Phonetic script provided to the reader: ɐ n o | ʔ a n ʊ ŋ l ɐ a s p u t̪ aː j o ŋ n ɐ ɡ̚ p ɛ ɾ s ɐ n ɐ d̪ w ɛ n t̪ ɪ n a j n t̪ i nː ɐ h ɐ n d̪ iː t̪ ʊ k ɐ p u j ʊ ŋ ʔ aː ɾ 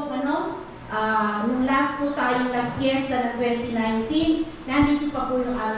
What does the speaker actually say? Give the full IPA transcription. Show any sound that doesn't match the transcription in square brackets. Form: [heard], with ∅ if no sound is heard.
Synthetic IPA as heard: ɐ n o | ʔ a n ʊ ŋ l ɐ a s p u t̪ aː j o ŋ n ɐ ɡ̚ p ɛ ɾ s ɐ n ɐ [t̪] w ɛ n t̪ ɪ n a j n t̪ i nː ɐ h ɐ n d̪ iː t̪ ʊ [p] ɐ p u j ʊ ŋ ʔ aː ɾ